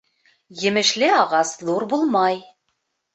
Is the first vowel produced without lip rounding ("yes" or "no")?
yes